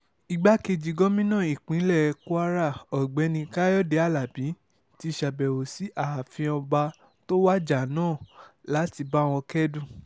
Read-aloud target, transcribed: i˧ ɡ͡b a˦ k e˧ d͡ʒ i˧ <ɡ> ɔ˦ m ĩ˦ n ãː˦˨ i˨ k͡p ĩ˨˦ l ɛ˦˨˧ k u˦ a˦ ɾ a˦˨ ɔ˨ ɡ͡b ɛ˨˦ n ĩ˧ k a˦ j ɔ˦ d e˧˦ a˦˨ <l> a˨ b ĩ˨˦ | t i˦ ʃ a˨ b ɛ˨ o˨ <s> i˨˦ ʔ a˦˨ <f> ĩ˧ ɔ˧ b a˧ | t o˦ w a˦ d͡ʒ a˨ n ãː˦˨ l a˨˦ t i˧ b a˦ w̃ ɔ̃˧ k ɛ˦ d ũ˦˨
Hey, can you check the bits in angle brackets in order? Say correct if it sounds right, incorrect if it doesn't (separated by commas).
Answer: correct, correct, correct, correct